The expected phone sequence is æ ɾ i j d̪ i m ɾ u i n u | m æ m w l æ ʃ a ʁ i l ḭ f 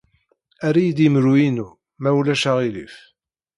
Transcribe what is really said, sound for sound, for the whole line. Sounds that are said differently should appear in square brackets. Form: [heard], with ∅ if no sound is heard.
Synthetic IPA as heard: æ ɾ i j d̪ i m ɾ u i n u | m æ [∅] w l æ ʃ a ʁ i l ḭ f